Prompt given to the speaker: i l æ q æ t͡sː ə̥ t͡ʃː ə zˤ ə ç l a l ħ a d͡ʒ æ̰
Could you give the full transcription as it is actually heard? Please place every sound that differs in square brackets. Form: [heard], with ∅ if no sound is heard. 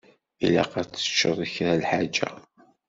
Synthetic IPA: i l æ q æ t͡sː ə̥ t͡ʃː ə [ðˤ] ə ç [ɾ] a l ħ a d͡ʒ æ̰